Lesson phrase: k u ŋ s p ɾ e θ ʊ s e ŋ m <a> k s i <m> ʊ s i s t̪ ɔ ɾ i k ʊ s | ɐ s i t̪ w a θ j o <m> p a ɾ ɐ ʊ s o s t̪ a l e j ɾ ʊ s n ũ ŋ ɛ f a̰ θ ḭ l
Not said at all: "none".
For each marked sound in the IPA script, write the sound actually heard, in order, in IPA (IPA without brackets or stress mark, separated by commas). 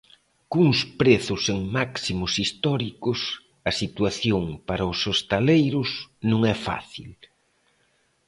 a, m, ŋ